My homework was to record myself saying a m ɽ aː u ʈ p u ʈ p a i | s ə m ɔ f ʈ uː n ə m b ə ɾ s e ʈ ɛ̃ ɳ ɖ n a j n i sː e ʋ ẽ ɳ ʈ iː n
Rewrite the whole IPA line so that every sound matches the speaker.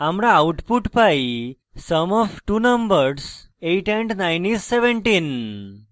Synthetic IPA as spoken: a m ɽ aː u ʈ p u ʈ p a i | s ə m ɔ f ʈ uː n ə m b ə ɾ s e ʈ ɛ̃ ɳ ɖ n a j n i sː e ʋ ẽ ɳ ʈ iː n

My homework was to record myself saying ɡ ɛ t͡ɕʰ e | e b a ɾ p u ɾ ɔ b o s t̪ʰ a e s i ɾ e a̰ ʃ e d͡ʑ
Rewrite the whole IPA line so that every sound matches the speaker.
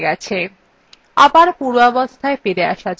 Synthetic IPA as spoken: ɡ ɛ t͡ɕʰ e | a b a ɾ p u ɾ ɔ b o s t̪ʰ a e f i ɾ e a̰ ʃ a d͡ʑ

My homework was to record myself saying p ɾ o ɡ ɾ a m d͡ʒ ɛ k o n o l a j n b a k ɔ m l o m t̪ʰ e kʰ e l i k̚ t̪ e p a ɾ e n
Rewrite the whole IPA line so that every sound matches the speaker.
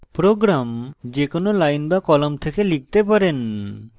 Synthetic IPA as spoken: p ɾ o ɡ ɾ a m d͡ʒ e k o n o l a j n b a k ɔ l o m t̪ʰ e k e l i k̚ t̪ e p a ɾ e n

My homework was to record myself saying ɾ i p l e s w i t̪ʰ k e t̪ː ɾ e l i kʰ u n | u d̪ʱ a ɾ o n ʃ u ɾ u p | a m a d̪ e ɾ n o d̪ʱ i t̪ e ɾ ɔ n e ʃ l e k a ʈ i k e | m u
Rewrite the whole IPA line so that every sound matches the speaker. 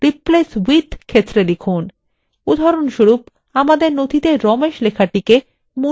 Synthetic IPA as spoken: ɾ i p l e s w i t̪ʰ kʰ e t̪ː ɾ e l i kʰ u n | u d̪ʱ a ɾ o n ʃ u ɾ u p | a m a d̪ e ɾ n o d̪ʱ i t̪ e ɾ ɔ m e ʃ l e kʰ a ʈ i k e | m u

